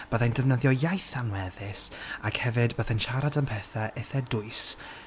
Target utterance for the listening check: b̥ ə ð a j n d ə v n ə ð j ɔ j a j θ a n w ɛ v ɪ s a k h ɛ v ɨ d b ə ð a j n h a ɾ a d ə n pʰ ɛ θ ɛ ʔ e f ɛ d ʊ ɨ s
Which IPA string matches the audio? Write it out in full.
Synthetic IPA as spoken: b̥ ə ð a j n d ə v n ə ð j ɔ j a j θ a n w ɛ ð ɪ s a k h ɛ v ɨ d b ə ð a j n ʃ a ɾ a d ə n pʰ ɛ θ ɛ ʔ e θ ɛ d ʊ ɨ s